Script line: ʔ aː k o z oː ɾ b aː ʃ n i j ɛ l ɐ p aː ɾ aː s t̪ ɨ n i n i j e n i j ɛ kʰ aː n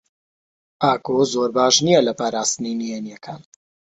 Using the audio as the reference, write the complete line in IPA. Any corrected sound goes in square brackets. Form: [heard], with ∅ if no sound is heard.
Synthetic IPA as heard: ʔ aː k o z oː ɾ b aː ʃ n i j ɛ l ɐ p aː ɾ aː s t̪ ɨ n i n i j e n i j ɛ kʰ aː n